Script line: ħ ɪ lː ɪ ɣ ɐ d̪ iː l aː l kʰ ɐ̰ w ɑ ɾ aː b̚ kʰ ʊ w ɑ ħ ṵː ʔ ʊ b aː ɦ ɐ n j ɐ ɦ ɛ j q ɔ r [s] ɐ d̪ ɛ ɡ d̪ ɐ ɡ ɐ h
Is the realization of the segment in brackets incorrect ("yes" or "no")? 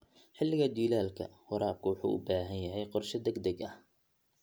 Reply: yes